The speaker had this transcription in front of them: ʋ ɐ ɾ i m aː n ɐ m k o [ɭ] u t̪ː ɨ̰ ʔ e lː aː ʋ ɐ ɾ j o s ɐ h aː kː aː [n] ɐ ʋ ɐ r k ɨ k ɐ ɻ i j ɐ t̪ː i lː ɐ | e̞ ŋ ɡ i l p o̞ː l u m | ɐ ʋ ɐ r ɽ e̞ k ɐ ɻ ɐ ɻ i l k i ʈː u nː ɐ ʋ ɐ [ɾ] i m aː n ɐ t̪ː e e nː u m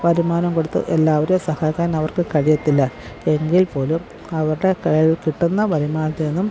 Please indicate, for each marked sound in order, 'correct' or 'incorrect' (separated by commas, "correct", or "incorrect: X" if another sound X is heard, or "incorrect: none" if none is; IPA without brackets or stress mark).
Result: incorrect: ɽ, correct, correct